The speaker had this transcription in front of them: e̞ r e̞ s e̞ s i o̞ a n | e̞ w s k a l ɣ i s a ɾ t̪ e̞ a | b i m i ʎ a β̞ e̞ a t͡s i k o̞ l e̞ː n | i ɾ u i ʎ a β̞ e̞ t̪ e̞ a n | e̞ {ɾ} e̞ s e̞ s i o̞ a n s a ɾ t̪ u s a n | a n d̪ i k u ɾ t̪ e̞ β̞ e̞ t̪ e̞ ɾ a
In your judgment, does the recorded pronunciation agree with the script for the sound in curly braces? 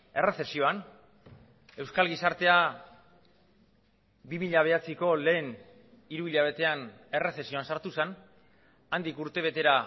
no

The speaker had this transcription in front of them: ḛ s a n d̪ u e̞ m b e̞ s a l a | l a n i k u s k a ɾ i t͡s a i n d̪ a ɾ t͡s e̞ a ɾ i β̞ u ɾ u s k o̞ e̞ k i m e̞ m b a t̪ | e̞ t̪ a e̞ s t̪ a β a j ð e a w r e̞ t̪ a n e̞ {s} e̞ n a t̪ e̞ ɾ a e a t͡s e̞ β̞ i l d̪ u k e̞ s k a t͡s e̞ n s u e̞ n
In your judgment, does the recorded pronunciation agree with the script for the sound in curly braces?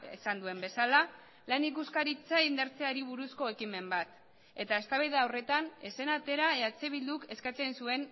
yes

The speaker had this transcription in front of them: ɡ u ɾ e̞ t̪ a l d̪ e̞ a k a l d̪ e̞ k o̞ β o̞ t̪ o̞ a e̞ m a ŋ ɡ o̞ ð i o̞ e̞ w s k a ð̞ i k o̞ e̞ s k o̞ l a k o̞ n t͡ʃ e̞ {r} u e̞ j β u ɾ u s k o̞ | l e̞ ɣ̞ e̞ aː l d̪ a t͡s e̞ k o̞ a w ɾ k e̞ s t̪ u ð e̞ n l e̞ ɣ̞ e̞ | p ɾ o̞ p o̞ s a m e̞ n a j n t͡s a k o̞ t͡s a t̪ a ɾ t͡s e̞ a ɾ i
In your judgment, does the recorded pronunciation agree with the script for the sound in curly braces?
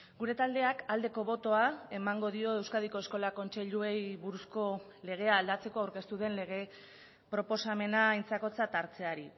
no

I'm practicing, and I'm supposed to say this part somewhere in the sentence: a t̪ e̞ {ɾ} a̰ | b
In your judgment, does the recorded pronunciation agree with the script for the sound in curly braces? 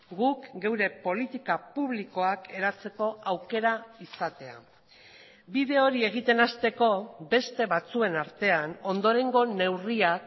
no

